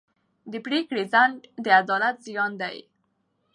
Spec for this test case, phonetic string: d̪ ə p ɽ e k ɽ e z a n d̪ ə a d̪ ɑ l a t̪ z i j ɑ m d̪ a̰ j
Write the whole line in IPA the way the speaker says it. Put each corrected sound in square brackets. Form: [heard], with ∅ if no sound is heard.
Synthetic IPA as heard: d̪ ə p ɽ e k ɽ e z a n d̪ ə a d̪ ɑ l a t̪ z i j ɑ [n] d̪ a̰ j